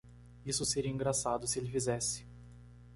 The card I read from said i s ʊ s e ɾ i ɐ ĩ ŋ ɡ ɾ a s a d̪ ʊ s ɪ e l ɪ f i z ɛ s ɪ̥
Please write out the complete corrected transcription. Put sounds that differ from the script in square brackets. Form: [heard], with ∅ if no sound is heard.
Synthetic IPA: i s ʊ s e ɾ i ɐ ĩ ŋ ɡ ɾ a s a d̪ ʊ s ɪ e l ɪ f i z ɛ s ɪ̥